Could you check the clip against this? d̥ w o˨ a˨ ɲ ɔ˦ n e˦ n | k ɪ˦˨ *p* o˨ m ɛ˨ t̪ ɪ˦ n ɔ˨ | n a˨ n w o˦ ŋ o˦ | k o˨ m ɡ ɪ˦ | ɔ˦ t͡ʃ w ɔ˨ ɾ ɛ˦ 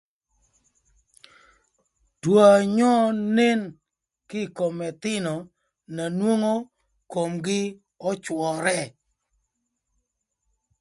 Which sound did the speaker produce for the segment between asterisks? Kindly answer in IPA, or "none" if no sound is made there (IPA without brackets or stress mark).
k